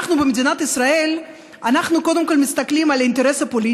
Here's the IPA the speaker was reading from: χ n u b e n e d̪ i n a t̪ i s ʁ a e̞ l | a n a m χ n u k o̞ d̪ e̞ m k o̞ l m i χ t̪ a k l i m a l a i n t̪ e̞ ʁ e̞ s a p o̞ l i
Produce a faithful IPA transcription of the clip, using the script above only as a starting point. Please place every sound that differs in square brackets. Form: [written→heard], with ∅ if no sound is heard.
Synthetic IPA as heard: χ n u b e [n→m] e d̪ i n a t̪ i s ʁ a e̞ l | a n a [m→∅] χ n u k o̞ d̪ e̞ m k o̞ l m i [χ→s] t̪ a k l i m a l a i n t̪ e̞ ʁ e̞ s a p o̞ l i